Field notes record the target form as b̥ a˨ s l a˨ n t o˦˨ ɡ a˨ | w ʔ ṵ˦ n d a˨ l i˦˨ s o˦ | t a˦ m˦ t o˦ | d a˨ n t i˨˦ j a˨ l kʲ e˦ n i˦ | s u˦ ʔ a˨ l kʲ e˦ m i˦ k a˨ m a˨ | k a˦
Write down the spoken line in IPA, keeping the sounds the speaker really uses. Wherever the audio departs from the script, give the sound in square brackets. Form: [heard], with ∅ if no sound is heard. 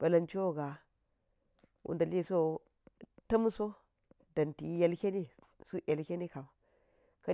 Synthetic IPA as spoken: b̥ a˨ [∅] l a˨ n [t͡ʃ] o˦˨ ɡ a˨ | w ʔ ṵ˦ n d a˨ l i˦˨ s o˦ | t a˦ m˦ [s] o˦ | d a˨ n t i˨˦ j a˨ l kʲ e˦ n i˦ | s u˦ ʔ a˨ l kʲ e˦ [n] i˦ k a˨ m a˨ | k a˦